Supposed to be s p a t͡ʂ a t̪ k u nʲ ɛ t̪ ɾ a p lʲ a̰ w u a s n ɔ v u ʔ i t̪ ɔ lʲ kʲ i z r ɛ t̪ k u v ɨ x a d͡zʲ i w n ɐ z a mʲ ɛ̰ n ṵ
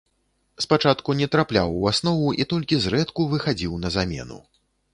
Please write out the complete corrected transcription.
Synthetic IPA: s p a t͡ʂ a t̪ k u nʲ ɛ t̪ ɾ a p lʲ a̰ w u a s n ɔ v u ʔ i t̪ ɔ lʲ kʲ i z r ɛ t̪ k u v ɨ x a d͡zʲ i w n ɐ z a mʲ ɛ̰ n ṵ